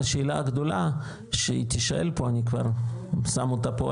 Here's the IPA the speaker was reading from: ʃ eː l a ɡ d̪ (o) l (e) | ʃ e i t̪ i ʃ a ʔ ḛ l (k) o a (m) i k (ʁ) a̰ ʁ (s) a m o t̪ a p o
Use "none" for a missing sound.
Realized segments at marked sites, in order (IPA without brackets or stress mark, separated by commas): o, a, p, n, v, s